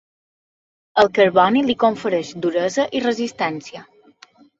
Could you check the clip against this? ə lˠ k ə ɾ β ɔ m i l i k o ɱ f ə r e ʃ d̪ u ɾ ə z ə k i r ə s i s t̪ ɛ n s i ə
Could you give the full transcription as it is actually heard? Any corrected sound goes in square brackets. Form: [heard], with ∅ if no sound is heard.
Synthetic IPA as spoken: ə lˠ k ə ɾ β ɔ [n] i l i k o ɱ f ə [ɾ] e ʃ d̪ u ɾ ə z ə [ʔ] i r ə [z] i s t̪ ɛ n s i ə